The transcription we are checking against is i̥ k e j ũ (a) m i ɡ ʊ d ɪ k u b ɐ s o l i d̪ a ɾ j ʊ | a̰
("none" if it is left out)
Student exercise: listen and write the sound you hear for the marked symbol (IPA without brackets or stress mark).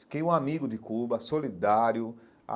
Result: a